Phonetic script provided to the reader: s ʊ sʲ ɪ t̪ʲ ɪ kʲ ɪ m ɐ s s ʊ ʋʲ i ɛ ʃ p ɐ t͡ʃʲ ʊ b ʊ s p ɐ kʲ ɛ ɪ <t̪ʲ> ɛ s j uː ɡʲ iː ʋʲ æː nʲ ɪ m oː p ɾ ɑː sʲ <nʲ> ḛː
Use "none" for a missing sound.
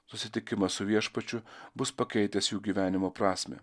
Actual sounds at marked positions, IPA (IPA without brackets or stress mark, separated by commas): t̪ʲ, mʲ